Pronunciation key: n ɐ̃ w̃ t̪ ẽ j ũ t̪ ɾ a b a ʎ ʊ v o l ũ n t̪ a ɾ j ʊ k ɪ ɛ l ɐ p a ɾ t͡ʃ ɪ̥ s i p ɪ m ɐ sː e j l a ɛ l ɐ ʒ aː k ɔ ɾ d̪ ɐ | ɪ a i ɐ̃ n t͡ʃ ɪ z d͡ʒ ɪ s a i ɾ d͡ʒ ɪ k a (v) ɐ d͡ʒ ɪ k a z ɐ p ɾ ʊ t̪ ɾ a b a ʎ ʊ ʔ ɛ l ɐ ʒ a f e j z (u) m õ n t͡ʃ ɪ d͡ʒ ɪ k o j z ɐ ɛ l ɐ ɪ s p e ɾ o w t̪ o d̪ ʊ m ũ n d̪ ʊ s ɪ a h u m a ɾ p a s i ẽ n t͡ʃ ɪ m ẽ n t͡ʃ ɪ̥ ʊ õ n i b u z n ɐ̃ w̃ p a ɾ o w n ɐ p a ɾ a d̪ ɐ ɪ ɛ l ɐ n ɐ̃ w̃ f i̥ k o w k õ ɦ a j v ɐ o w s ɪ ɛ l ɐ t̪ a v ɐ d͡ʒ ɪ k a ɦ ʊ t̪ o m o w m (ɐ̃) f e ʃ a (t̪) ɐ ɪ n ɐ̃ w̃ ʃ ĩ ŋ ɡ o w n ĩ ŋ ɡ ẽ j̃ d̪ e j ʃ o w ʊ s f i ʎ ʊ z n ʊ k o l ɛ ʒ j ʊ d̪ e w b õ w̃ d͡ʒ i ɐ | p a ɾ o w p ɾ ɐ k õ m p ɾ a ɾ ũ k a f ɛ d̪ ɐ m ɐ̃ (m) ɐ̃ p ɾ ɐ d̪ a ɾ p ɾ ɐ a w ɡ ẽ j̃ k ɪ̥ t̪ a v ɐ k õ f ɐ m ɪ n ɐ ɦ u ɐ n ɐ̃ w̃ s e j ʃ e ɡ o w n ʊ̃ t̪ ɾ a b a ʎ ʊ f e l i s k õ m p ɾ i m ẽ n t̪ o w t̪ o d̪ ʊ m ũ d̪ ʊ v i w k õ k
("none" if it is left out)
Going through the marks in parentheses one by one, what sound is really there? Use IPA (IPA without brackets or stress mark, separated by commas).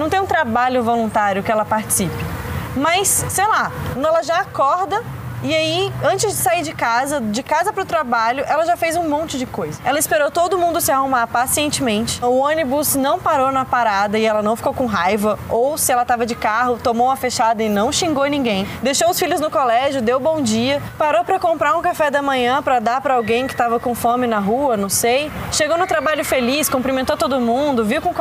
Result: z, ũ, ɐ, d̪, ɲ